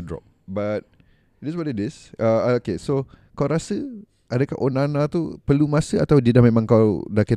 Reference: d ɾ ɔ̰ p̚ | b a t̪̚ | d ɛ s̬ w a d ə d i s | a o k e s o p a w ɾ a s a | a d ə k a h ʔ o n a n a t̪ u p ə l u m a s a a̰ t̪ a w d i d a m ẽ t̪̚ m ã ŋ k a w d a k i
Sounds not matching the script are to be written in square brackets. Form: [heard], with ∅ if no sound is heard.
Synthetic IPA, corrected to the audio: d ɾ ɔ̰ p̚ | b a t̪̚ | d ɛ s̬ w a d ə d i s | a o k e s o [k] a w ɾ a s [ə] | a d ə k a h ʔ o n a n a t̪ u p ə l u m a s [ə] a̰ t̪ a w d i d a m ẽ [∅] m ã ŋ k a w d a k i